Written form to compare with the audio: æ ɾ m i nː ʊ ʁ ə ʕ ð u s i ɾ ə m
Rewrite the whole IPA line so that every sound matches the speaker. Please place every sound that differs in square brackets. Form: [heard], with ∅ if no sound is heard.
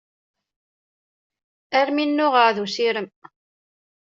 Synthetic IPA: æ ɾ m i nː ʊ ʁ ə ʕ ð u s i ɾ ə m